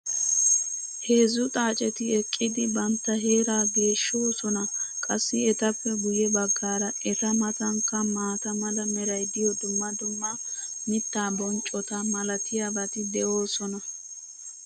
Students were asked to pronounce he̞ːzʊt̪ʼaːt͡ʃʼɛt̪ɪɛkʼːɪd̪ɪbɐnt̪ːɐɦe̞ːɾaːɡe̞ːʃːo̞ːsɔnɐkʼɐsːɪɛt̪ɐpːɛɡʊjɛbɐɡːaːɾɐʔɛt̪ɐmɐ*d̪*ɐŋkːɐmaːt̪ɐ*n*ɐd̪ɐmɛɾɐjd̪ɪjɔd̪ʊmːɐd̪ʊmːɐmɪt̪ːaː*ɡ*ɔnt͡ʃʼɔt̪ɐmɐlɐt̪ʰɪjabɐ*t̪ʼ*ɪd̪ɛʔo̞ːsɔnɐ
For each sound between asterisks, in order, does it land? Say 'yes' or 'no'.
no, no, no, no

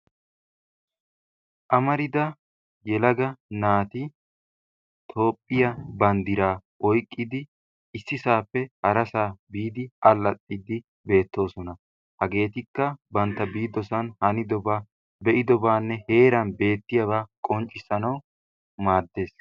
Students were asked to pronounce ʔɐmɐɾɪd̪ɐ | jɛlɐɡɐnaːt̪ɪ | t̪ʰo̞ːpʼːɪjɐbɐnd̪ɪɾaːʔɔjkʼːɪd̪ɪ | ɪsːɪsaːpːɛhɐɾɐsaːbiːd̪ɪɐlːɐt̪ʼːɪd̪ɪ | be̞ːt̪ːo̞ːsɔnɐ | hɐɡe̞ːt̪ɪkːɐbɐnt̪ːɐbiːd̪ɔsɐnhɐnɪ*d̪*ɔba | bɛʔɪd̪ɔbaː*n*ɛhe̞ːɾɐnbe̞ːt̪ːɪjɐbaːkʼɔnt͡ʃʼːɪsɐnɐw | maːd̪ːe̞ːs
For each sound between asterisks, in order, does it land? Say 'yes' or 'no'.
yes, no

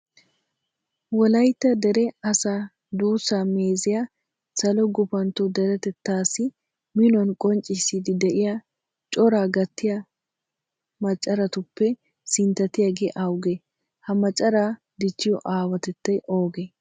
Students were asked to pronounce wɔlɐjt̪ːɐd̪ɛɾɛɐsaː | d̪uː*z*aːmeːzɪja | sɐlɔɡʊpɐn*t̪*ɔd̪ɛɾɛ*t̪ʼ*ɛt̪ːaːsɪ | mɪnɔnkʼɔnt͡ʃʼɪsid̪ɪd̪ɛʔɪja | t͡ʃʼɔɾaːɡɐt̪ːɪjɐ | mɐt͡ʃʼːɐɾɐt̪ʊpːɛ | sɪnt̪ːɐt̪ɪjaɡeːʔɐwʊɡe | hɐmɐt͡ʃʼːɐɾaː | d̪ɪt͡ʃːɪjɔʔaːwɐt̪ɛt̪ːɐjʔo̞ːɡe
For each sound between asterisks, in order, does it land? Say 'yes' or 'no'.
no, yes, no

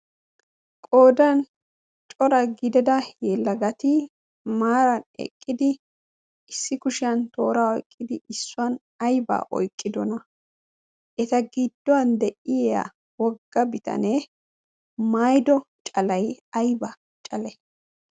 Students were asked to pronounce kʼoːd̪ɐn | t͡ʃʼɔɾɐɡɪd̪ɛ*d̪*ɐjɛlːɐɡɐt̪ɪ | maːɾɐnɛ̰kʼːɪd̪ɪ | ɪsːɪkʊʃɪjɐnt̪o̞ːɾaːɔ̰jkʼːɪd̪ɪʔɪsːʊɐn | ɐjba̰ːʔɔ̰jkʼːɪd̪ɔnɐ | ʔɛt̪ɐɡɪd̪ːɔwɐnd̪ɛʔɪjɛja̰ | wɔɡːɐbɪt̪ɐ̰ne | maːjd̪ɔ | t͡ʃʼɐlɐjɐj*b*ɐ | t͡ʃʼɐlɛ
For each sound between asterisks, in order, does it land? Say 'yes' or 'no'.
yes, yes

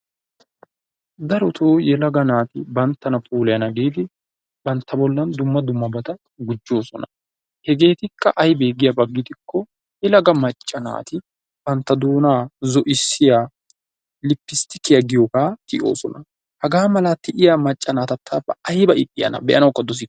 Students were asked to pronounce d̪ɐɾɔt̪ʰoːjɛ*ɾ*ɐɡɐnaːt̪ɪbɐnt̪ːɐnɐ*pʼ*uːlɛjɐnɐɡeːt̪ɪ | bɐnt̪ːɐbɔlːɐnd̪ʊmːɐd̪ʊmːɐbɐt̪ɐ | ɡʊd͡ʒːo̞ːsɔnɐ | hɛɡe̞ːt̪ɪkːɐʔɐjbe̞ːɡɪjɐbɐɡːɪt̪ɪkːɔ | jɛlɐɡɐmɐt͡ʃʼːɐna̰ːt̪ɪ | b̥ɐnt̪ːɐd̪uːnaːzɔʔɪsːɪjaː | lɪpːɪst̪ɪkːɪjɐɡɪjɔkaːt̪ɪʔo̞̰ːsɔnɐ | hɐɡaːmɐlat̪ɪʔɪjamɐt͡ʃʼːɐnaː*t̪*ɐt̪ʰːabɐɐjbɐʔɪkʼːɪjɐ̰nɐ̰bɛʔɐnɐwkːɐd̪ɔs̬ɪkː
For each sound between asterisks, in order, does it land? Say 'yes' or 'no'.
no, yes, yes

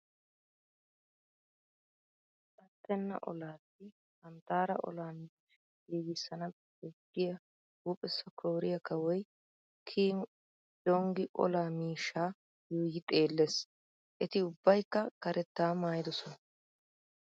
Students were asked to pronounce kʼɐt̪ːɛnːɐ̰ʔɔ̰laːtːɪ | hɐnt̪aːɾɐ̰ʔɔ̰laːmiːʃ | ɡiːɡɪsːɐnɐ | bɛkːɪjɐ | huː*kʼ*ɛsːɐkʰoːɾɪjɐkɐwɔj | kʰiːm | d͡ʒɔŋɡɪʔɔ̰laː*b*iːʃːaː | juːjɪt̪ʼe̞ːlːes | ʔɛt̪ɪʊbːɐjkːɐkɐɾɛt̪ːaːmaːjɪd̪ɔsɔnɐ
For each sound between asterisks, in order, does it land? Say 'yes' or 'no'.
no, no

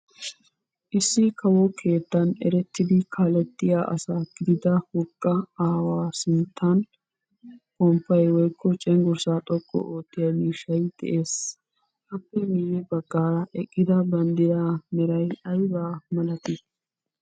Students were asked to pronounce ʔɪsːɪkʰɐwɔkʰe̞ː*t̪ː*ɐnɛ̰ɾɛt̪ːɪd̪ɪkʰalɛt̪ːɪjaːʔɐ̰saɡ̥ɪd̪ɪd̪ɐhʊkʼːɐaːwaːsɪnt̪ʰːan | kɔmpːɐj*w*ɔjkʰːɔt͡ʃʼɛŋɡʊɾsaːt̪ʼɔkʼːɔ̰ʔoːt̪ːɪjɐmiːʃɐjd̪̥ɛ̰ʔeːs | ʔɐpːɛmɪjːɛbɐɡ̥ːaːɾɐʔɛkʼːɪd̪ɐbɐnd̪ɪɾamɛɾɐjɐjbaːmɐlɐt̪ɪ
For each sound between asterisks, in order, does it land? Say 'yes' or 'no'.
yes, yes

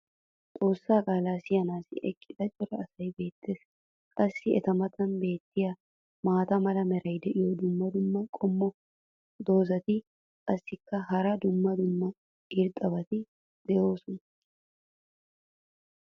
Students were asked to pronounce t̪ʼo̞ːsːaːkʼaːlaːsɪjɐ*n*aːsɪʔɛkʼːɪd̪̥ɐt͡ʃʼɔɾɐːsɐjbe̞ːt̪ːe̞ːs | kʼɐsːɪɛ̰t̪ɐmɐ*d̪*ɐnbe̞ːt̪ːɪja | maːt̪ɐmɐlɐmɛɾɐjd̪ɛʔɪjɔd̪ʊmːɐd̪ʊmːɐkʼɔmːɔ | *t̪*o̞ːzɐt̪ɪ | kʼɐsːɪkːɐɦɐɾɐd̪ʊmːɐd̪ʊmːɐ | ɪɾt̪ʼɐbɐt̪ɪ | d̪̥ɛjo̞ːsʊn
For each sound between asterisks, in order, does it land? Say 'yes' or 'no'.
yes, no, no

